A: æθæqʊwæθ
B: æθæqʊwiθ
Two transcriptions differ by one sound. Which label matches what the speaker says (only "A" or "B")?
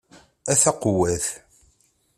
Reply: A